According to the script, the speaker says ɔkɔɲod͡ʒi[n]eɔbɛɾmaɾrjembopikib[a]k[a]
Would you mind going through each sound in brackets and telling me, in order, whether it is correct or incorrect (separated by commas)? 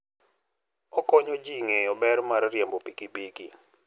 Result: incorrect, incorrect, incorrect